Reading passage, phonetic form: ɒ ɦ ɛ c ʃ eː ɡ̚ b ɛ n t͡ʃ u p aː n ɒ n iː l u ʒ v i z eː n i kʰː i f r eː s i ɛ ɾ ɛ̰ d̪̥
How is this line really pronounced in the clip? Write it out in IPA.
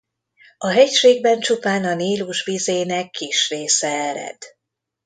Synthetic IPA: ɒ ɦ ɛ c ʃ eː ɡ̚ b ɛ n t͡ʃ u p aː n ɒ n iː l u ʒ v i z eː n ɛ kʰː i ʃ r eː s ɛ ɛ ɾ ɛ̰ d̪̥